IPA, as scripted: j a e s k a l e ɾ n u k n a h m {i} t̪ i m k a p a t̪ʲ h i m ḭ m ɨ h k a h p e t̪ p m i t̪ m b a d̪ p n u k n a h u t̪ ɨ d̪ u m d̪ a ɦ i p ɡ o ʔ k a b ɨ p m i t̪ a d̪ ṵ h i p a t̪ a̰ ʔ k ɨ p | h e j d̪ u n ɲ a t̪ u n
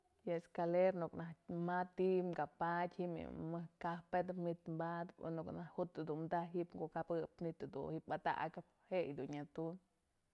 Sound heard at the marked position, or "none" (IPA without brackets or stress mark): a